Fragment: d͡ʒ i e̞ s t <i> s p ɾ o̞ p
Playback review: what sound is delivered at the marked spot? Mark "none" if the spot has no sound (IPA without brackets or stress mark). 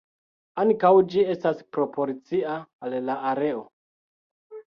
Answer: a